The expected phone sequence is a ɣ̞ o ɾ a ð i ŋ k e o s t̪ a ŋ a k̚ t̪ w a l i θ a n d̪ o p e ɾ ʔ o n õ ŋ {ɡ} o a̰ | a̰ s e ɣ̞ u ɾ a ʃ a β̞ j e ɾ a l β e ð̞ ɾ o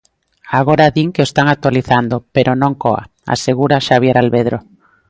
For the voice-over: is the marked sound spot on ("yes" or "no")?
no